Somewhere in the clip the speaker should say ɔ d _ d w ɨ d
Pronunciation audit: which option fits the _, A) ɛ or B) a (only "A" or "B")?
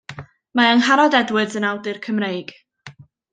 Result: A